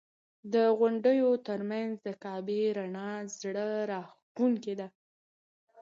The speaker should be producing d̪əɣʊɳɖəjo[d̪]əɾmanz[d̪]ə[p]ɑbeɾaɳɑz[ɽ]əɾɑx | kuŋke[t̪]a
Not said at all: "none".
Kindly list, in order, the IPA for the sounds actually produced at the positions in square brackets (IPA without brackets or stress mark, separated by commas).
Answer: t̪, d̪, k, ɽ, d̪